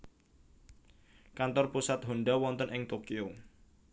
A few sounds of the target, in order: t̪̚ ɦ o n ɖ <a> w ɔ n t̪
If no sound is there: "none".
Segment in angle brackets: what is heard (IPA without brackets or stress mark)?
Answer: a